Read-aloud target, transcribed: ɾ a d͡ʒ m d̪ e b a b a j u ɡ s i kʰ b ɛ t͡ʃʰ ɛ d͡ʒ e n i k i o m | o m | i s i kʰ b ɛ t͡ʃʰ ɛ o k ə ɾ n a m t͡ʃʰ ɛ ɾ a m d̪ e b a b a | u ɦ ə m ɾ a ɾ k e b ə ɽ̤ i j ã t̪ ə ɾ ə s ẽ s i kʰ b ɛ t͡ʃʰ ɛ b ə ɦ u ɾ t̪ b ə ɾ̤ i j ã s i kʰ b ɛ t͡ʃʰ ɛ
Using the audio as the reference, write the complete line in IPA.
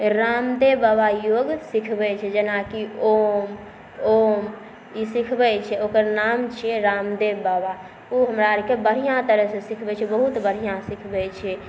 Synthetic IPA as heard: ɾ a m d̪ e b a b a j o ɡ s i kʰ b ɛ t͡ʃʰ ɛ d͡ʒ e n a k i o m | o m | i s i kʰ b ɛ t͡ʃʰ ɛ o k ə ɾ n a m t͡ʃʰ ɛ ɾ a m d̪ e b a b a | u ɦ ə m ɾ a ɾ k e b ə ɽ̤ i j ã t̪ ə ɾ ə s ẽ s i kʰ b ɛ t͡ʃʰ ɛ b ə ɦ u t̪ b ə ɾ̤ i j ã s i kʰ b ɛ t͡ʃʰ ɛ